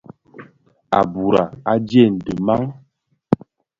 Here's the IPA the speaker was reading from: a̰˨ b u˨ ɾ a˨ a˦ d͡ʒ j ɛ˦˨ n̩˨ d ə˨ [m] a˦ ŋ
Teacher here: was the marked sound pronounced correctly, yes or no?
yes